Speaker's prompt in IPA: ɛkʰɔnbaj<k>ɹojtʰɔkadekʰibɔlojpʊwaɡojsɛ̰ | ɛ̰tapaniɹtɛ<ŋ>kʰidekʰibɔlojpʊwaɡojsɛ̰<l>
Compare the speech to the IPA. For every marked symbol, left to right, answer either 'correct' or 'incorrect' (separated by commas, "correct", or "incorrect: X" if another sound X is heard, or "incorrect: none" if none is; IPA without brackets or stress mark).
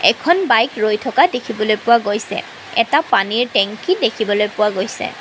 correct, correct, incorrect: none